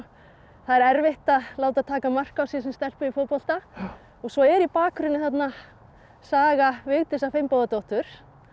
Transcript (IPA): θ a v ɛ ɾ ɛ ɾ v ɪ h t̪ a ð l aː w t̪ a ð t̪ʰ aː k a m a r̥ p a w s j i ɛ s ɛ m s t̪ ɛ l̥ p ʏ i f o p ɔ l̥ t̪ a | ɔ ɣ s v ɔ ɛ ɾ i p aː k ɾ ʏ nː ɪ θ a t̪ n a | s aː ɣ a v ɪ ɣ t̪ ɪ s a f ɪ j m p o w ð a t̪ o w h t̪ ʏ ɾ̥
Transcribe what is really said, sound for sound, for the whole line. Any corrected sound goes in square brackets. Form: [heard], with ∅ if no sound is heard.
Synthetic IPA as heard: θ a [ð] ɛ ɾ ɛ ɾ v ɪ h t̪ a ð l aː w t̪ a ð t̪ʰ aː k a m a r̥ [k] a w s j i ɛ s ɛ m s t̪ ɛ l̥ p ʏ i f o p ɔ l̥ t̪ a | ɔ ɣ s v ɔ ɛ ɾ i p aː k ɾ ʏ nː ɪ θ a t̪ n a | s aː ɣ a v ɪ ɣ t̪ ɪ s a f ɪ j m p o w ð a t̪ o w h t̪ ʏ ɾ̥